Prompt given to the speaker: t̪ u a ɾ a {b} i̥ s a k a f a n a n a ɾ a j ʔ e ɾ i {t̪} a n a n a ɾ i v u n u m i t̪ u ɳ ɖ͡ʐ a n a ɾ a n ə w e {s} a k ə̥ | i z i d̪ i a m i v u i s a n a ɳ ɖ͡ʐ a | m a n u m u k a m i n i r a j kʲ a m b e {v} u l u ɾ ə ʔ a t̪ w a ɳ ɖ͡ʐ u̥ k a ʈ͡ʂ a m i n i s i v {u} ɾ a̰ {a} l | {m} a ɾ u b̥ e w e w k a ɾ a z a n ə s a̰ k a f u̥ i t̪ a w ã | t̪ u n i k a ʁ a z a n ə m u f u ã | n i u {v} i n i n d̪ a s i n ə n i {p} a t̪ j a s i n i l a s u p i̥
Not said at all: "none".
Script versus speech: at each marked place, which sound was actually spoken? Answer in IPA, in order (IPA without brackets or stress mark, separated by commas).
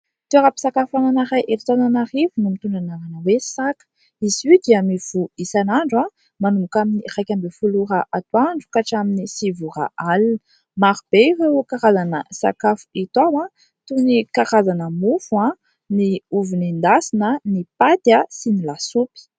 p, t̪, s, f, u, a, m, v, p